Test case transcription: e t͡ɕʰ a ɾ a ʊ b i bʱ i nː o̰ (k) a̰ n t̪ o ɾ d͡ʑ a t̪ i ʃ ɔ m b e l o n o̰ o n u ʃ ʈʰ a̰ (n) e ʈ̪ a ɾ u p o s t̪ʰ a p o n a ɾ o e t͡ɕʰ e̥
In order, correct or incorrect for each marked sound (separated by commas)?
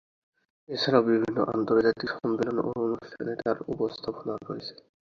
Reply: incorrect, correct